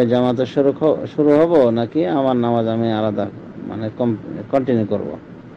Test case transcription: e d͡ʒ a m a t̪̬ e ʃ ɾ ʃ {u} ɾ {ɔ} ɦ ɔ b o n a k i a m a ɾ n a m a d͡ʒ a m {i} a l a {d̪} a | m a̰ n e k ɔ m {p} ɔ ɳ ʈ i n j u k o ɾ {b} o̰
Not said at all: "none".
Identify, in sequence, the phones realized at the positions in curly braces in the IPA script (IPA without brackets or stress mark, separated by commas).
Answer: u, u, i, d̪, k, b